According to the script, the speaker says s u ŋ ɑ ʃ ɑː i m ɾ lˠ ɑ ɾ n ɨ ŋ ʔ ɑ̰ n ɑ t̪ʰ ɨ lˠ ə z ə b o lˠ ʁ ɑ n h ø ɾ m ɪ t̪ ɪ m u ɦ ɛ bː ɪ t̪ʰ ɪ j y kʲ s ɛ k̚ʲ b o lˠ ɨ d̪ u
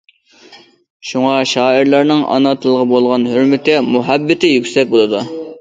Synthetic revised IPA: ʃ u ŋ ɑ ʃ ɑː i ɾ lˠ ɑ ɾ n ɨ ŋ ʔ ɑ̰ n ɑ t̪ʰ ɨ lˠ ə ʁ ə b o lˠ ʁ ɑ n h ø ɾ m ɪ t̪ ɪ m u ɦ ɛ bː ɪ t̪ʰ ɪ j y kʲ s ɛ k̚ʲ b o lˠ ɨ d̪ u